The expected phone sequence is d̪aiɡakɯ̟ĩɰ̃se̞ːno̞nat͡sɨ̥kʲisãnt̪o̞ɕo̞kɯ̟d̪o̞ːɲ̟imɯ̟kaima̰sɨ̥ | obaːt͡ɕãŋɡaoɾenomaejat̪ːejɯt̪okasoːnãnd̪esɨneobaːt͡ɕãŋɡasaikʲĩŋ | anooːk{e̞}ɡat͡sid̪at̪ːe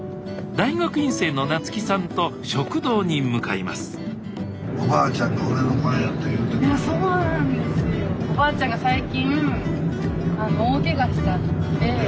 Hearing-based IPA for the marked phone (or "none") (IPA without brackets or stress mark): e̞